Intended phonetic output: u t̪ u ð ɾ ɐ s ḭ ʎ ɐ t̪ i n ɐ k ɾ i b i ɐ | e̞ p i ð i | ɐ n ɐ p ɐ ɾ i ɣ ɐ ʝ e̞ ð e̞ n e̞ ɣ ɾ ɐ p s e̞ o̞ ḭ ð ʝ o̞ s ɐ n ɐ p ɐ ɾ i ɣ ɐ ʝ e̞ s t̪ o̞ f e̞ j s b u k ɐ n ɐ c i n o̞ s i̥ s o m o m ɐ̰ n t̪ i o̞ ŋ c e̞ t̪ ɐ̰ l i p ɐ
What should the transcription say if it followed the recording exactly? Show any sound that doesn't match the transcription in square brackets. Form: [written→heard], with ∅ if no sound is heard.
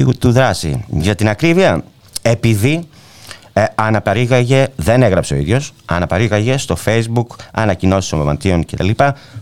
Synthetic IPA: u t̪ u ð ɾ ɐ s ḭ [ʎ→ʝ] ɐ t̪ i n ɐ k ɾ i [b→v] i ɐ | e̞ p i ð i | ɐ n ɐ p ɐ ɾ i ɣ ɐ ʝ e̞ ð e̞ n e̞ ɣ ɾ ɐ p s e̞ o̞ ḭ ð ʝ o̞ s ɐ n ɐ p ɐ ɾ i ɣ ɐ ʝ e̞ s t̪ o̞ f e̞ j [s→z] b u k ɐ n ɐ c i n o̞ s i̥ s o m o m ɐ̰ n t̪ i o̞ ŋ c e̞ t̪ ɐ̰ l i p ɐ